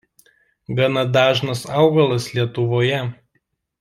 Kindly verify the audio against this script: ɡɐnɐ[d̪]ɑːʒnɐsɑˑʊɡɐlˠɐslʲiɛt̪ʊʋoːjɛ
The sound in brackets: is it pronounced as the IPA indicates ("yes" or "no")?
yes